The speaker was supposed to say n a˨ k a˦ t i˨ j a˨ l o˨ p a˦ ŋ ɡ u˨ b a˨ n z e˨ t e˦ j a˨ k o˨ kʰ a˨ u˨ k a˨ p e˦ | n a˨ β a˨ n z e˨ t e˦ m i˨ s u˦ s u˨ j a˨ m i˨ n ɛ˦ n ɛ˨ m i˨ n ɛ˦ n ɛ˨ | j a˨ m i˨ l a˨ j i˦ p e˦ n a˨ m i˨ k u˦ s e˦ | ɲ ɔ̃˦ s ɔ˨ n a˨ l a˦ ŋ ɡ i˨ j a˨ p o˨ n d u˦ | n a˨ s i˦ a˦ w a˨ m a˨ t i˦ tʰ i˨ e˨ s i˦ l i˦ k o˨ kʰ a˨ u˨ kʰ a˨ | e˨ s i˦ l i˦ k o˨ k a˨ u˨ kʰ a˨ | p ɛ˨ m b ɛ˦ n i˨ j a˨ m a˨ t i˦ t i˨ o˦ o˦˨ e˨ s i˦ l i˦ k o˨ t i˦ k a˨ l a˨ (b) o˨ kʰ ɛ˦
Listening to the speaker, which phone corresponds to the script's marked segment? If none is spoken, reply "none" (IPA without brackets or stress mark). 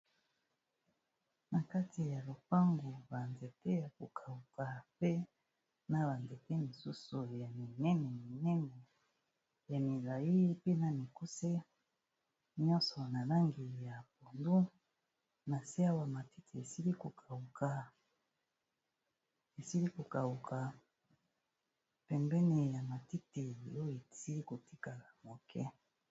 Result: m